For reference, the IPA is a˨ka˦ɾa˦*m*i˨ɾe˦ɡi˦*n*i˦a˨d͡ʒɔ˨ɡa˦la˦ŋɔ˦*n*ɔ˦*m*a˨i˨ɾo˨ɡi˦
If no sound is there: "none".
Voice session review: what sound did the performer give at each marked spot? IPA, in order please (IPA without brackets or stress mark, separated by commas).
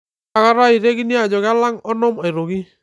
none, n, n, m